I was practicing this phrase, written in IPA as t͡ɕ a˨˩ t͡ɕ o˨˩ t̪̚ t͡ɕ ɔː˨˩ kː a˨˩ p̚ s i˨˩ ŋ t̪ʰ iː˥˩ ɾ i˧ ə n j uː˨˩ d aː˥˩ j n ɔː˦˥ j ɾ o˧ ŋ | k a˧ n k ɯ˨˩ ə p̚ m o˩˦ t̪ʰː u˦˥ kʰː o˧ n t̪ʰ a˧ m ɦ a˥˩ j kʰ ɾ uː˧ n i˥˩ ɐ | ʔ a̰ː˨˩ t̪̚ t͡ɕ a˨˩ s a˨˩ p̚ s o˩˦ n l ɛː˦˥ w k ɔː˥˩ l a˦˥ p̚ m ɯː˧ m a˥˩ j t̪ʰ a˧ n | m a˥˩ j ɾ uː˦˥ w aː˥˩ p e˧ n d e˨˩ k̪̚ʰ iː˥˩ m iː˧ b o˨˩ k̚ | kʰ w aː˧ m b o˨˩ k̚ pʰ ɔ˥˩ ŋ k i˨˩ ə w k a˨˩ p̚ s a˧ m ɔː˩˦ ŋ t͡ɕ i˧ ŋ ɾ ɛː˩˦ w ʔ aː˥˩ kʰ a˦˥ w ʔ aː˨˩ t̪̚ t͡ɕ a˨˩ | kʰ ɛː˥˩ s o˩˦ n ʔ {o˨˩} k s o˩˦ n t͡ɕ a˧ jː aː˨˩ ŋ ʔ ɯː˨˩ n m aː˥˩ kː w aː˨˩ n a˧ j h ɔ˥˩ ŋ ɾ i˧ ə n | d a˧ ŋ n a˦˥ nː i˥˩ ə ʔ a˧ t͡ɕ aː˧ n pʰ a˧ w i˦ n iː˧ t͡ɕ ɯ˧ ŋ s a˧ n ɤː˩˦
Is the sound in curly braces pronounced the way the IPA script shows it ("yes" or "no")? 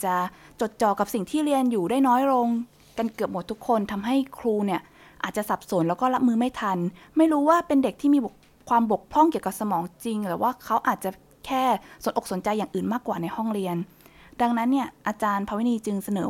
yes